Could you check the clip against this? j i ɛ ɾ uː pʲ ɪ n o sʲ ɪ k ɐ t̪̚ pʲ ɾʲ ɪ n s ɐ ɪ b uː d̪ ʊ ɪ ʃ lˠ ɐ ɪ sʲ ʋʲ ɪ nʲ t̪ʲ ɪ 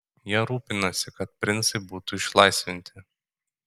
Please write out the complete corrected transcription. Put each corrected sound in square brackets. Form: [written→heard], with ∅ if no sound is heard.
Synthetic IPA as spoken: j i ɛ ɾ uː pʲ ɪ n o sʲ ɪ k ɐ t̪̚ pʲ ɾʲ ɪ n s ɐ ɪ b uː [d̪→t̪] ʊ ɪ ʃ lˠ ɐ ɪ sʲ ʋʲ ɪ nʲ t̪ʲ ɪ